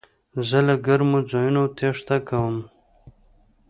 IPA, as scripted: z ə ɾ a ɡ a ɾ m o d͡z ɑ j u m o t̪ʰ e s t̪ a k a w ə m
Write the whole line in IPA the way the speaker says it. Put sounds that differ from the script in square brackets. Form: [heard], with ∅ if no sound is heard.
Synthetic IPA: z ə [l] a ɡ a ɾ m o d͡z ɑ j u [n] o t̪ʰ e [ʂ] t̪ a k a w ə m